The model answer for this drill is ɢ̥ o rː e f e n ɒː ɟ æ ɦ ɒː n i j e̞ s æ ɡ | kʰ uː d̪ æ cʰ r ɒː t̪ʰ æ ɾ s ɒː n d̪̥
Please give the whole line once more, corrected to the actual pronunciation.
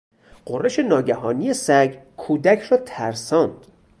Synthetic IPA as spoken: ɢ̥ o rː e ʃ e n ɒː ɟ æ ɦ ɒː n i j e̞ s æ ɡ | kʰ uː d̪ æ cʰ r ɒː t̪ʰ æ ɾ s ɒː n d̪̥